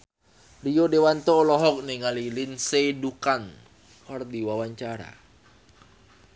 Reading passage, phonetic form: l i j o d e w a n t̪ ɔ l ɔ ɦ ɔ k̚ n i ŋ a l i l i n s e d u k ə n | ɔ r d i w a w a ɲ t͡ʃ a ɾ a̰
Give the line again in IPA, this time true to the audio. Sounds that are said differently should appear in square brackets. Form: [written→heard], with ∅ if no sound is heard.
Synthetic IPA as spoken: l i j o d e w a n t̪ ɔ l ɔ ɦ ɔ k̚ n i ŋ a l i l i n s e d u k [ə→a] n | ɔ r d i w a w a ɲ t͡ʃ a ɾ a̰